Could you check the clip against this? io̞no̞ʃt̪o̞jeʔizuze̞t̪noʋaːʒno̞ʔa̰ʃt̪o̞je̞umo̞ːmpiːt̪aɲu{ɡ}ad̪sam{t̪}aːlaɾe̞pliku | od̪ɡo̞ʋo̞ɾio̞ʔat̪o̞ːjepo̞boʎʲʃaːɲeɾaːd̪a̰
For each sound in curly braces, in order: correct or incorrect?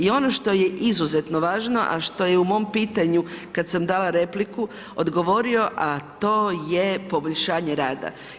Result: incorrect: k, incorrect: d̪

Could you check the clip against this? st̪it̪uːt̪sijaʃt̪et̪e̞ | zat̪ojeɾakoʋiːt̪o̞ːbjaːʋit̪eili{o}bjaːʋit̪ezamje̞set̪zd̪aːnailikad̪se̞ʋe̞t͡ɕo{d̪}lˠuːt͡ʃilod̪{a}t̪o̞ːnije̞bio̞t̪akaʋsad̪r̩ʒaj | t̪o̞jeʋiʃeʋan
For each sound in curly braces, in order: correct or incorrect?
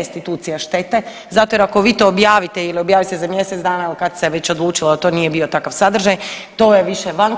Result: correct, correct, correct

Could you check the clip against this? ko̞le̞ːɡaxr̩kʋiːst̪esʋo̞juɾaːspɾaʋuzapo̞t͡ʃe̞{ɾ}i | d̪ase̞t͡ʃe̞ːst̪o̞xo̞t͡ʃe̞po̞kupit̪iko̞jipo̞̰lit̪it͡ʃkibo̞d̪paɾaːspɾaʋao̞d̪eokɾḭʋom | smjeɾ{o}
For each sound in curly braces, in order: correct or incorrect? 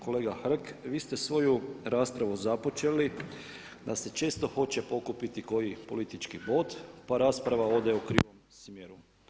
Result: incorrect: l, incorrect: u

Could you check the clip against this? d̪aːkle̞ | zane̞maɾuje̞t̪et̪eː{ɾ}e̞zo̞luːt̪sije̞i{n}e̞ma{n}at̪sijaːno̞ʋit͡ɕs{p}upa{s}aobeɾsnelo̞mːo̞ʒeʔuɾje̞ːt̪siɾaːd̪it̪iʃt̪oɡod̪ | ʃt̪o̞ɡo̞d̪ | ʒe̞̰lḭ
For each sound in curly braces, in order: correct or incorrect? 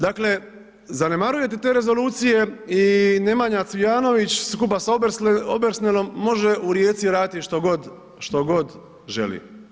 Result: correct, correct, incorrect: ɲ, incorrect: k, correct

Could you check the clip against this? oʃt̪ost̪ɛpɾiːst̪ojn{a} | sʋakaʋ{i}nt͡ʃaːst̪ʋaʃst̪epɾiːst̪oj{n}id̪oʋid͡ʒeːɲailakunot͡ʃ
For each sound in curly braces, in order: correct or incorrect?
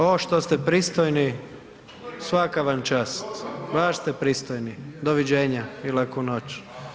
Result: incorrect: i, incorrect: a, correct

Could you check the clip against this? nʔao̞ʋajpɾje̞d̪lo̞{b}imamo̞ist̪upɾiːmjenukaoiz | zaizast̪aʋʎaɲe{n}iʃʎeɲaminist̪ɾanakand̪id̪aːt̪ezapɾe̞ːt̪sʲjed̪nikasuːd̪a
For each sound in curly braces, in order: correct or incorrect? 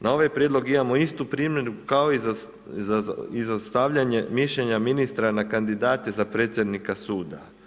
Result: incorrect: ɡ, incorrect: m

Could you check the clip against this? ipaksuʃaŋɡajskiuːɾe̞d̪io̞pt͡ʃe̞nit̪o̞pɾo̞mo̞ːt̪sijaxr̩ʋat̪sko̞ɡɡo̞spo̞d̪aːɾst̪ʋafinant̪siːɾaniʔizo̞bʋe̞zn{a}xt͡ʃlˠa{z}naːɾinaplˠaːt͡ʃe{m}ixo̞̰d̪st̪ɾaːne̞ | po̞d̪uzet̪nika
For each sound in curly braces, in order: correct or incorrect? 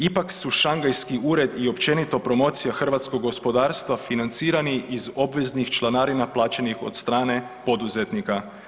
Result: incorrect: i, incorrect: none, incorrect: n

